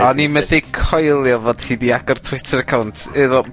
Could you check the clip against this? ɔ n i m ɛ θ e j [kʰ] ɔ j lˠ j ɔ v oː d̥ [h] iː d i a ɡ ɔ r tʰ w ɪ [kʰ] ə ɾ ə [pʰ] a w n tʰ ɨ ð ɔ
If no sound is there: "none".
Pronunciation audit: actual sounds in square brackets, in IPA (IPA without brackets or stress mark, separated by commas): kʰ, h, tʰ, kʰ